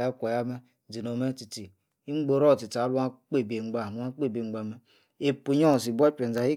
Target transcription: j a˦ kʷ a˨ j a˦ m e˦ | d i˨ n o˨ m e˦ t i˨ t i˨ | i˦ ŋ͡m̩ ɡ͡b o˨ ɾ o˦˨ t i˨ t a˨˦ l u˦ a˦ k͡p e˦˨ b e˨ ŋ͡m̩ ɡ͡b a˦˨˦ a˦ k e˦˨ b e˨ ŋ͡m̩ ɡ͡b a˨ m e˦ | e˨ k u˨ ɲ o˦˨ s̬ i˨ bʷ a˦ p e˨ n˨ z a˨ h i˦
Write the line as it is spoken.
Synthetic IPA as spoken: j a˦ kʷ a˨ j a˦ m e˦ | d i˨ n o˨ m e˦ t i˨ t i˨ | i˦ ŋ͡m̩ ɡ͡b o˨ ɾ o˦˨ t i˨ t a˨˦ l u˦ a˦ k͡p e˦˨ b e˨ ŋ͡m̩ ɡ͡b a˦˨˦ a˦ k͡p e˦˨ b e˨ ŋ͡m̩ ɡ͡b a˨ m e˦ | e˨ p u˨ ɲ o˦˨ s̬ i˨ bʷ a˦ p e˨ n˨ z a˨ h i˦